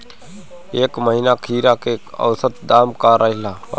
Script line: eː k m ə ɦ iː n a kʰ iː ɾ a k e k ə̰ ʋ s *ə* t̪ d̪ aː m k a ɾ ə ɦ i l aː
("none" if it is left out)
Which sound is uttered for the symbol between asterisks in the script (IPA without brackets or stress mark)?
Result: ə